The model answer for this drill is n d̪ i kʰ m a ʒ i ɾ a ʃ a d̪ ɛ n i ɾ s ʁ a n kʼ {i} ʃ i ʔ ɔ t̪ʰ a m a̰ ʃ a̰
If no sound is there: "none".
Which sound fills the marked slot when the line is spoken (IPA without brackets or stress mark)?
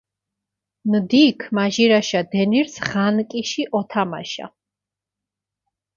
i